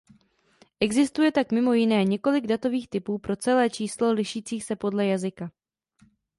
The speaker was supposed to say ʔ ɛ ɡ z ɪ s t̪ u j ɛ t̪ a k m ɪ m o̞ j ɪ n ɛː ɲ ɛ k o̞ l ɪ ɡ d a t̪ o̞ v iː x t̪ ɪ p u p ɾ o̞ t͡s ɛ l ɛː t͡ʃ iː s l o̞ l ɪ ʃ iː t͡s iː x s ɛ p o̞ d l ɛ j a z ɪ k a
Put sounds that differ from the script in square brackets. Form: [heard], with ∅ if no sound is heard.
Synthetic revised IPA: ʔ ɛ ɡ z ɪ s t̪ u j ɛ t̪ a k m ɪ m o̞ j ɪ n ɛː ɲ ɛ k o̞ l ɪ ɡ d a t̪ o̞ v iː x t̪ ɪ p [uː] p ɾ o̞ t͡s ɛ l ɛː t͡ʃ iː s l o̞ l ɪ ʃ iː t͡s iː x s ɛ p o̞ d l ɛ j a z ɪ k a